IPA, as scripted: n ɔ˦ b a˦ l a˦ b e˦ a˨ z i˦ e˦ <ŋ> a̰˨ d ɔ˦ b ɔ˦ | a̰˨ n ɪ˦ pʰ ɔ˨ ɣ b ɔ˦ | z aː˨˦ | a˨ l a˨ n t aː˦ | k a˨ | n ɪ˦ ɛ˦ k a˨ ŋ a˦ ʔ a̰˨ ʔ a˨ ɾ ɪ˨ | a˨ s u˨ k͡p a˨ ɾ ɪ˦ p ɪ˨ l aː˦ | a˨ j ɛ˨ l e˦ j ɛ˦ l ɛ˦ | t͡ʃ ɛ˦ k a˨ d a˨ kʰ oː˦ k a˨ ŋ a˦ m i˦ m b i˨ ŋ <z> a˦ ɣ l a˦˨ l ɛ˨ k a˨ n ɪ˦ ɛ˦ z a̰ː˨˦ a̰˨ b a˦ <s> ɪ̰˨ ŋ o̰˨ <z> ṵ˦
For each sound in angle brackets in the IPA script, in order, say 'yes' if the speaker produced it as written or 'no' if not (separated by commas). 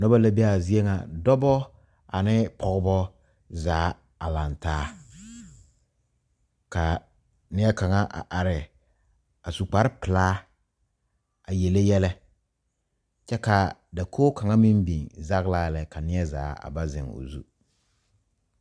yes, yes, no, yes